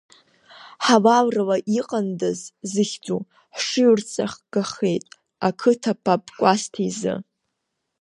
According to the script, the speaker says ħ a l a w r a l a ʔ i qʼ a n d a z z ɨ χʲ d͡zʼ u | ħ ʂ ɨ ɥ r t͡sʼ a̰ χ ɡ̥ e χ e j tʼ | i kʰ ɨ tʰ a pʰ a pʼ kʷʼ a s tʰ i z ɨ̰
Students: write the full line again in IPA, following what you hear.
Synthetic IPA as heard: ħ a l a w r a l a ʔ i qʼ a n d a z z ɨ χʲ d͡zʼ u | ħ ʂ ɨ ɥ r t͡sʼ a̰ χ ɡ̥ a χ e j tʼ | a kʰ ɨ tʰ a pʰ a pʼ kʷʼ a s tʰ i z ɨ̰